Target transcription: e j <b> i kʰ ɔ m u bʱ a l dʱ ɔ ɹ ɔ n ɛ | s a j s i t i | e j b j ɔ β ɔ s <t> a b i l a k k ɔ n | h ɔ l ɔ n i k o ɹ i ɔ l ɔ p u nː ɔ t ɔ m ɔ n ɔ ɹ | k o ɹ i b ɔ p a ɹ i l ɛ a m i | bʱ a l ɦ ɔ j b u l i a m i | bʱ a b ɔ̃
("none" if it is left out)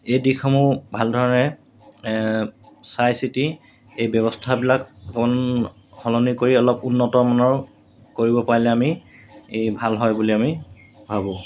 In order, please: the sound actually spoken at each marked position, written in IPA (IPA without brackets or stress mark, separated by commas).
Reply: d, tʰ